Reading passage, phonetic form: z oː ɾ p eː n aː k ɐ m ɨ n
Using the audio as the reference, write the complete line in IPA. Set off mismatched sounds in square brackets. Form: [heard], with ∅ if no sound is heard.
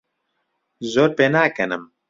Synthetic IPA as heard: z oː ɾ p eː n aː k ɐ [n] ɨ [m]